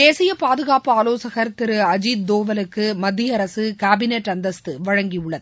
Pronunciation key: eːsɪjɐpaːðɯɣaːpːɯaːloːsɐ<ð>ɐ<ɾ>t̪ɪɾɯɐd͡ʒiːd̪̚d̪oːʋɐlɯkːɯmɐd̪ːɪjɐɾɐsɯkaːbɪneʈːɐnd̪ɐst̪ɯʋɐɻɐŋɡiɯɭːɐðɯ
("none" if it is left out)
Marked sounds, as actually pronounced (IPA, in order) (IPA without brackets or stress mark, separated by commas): ɣ, ɾ